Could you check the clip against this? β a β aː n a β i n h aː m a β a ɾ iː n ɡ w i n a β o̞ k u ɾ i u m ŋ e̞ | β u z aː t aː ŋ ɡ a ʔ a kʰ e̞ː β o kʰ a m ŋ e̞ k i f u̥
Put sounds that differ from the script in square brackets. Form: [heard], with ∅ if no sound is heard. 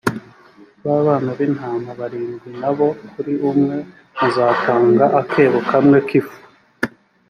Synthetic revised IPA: β a β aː n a β i n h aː m a β a ɾ iː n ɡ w i n a β o̞ k u ɾ i u m ŋ e̞ | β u z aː t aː ŋ ɡ a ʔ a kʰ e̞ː β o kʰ a m ŋ e̞ k i f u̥